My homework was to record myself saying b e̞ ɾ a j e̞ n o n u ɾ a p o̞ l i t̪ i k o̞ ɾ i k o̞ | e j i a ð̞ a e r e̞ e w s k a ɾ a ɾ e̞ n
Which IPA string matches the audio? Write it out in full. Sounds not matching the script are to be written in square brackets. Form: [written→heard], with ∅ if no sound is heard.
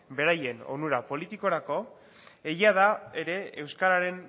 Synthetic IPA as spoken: b e̞ ɾ a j e̞ n o n u ɾ a p o̞ l i t̪ i k o̞ ɾ [i→a] k o̞ | e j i a ð̞ a e [r→ɾ] e̞ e w s k a ɾ a ɾ e̞ n